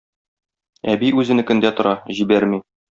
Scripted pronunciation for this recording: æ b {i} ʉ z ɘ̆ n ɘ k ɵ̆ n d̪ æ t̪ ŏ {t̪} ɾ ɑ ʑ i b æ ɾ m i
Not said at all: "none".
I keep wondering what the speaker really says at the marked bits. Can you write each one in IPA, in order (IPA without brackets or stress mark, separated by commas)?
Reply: i, none